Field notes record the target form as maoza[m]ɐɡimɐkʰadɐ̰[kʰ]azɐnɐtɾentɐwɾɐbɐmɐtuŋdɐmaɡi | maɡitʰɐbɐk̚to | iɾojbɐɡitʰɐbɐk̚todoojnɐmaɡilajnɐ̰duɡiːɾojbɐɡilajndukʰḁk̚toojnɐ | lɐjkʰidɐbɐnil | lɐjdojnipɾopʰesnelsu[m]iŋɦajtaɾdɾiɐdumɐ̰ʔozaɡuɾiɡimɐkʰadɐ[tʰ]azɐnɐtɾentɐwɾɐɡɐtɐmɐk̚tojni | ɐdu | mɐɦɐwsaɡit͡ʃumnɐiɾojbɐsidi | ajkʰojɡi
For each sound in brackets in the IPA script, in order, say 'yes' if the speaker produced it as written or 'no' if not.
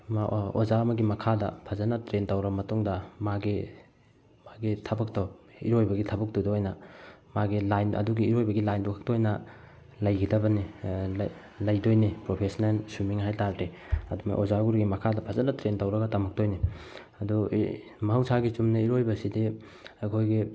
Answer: yes, no, yes, no

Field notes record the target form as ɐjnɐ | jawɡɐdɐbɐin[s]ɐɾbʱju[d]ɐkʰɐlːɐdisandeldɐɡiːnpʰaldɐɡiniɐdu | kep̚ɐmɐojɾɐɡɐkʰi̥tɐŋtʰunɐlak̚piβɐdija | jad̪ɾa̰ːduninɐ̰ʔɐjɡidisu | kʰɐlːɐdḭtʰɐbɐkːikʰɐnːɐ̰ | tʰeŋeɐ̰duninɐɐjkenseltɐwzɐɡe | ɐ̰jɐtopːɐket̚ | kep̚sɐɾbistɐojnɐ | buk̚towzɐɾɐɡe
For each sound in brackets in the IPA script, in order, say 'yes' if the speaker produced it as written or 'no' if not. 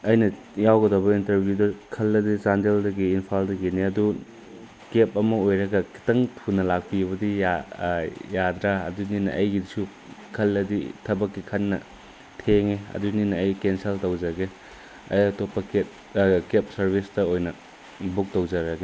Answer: no, yes

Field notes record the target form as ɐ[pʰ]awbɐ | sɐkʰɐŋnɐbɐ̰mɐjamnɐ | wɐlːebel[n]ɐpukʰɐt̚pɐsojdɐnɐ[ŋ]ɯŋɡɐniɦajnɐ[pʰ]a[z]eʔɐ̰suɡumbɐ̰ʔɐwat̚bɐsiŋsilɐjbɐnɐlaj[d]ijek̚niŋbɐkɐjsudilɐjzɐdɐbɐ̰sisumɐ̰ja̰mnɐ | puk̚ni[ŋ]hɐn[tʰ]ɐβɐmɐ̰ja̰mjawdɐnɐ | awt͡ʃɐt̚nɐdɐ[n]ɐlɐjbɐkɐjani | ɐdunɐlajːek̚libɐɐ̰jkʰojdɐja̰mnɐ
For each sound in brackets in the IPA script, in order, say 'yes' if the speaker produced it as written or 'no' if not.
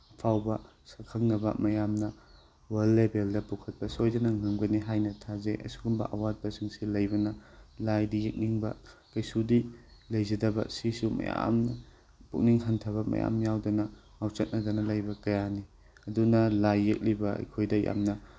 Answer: yes, no, yes, no, yes, yes, yes, yes, yes

